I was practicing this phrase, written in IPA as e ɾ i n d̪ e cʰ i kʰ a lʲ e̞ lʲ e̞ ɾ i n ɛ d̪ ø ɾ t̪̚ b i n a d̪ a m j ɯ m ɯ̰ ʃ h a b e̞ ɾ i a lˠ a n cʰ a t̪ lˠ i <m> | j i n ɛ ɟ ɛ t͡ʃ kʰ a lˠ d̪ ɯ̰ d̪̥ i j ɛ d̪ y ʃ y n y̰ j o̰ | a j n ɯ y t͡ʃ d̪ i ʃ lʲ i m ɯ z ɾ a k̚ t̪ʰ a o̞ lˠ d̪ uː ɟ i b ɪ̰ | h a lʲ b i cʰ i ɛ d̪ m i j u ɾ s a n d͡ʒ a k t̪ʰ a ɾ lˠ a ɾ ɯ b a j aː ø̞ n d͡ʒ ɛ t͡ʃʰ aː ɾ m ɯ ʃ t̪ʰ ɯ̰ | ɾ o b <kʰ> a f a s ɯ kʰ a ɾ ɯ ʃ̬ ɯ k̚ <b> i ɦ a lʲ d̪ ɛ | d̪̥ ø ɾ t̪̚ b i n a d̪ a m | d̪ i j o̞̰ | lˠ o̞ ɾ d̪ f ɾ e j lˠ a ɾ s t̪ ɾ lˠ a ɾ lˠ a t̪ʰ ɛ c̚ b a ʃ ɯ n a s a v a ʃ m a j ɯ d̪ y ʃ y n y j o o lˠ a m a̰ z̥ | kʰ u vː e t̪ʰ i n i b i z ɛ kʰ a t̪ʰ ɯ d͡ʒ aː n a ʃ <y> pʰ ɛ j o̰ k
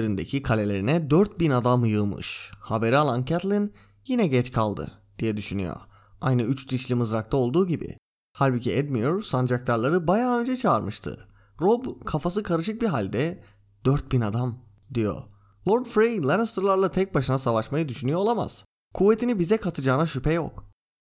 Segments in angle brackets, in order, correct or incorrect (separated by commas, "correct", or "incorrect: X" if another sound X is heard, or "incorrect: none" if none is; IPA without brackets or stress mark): incorrect: n, correct, correct, correct